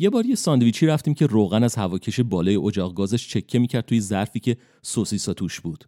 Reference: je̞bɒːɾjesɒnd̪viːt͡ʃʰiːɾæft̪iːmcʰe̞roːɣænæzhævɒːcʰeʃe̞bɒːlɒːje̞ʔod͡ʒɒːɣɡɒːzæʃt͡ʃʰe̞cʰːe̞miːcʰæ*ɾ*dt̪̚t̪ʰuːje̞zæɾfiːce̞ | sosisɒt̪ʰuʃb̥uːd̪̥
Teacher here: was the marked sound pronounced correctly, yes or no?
yes